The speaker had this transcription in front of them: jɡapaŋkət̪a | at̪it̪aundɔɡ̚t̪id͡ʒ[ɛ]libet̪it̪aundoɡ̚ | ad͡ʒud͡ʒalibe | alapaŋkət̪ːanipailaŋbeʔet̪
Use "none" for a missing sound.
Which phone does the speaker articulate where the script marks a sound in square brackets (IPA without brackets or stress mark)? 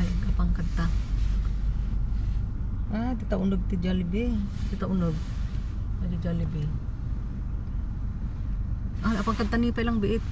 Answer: a